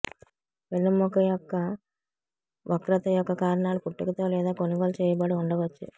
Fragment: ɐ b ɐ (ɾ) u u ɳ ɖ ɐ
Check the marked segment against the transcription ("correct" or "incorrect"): incorrect